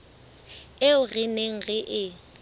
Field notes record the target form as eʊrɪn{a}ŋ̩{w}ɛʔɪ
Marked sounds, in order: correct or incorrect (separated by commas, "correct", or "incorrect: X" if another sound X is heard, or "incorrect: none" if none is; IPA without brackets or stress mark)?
incorrect: e, incorrect: ɣ